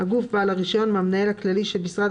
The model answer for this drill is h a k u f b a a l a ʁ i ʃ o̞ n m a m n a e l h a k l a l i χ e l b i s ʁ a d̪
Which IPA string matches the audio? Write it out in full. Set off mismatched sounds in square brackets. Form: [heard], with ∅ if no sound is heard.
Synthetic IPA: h a [ɡ] u f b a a l a ʁ i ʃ o̞ n m a m n a e l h a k l a l i [ʃ] e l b i s ʁ a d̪